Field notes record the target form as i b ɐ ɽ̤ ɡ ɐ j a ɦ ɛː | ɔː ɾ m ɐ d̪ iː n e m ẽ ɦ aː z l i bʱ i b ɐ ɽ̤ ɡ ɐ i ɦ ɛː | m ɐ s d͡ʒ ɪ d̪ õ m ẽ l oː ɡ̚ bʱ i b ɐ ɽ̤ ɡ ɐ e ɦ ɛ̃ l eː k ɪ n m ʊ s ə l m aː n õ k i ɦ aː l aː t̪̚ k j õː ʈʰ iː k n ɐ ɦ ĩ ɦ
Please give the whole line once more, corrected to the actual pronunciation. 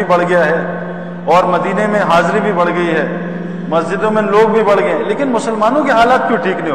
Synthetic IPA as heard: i b ɐ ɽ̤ ɡ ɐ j a ɦ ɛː | ɔː ɾ m ɐ d̪ iː n e m ẽ ɦ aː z ɾ i bʱ i b ɐ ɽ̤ ɡ ɐ i ɦ ɛː | m ɐ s d͡ʒ ɪ d̪ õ m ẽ l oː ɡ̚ bʱ i b ɐ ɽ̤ ɡ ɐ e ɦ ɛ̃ l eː k ɪ n m ʊ s ə l m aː n õ k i ɦ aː l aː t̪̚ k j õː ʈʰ iː k n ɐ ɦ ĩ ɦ